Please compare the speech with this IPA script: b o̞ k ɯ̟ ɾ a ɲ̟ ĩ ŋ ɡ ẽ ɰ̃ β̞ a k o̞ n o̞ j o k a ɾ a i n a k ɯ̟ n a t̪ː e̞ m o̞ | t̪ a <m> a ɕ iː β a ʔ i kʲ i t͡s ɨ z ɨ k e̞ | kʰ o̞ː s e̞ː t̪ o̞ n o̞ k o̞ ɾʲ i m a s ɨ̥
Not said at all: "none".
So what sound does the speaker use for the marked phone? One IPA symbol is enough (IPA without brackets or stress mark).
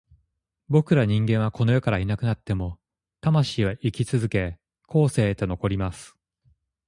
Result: m